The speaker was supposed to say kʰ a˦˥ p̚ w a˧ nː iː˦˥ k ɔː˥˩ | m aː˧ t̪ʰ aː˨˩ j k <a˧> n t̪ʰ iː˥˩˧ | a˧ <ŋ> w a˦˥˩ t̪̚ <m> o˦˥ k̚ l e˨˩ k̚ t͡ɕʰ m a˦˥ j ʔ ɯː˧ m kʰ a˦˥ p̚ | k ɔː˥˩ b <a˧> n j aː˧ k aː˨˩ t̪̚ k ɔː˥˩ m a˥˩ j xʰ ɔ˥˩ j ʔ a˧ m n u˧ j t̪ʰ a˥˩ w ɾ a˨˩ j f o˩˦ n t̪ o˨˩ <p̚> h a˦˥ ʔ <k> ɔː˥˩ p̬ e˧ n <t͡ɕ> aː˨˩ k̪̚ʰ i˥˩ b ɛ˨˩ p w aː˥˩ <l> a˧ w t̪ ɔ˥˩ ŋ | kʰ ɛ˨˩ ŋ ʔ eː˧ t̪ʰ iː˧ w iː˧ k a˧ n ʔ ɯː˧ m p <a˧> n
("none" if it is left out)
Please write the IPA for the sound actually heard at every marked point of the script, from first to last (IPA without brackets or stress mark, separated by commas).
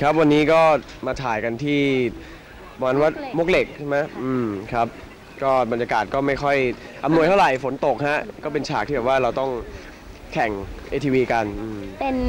a˧, n, m, a˧, k̚, k, t͡ɕʰ, ɾ, e˧